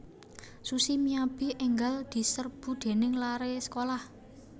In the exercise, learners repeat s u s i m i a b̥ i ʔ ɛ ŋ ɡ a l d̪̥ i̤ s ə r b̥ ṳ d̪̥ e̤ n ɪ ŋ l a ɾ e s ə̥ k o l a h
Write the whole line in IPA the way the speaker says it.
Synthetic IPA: s u s i m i a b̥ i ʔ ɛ ŋ ɡ a l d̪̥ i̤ s ə r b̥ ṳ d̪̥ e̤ n ɪ ŋ l a ɾ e s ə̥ k o l a h